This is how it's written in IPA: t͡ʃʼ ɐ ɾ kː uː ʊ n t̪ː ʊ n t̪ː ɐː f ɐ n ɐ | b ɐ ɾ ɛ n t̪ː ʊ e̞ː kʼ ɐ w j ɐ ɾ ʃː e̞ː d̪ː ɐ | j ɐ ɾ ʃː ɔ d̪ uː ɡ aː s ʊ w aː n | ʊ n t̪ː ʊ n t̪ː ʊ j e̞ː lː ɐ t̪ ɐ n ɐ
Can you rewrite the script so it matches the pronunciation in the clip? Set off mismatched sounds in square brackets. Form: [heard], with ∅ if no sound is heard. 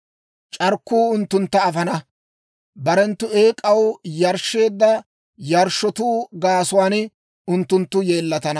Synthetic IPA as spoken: t͡ʃʼ ɐ ɾ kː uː ʊ n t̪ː ʊ n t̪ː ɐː f ɐ n ɐ | b ɐ ɾ ɛ n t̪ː ʊ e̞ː kʼ ɐ w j ɐ ɾ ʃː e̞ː d̪ː ɐ | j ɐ ɾ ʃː ɔ [t̪] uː ɡ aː s ʊ w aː n | ʊ n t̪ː ʊ n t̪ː ʊ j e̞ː lː ɐ t̪ ɐ n ɐ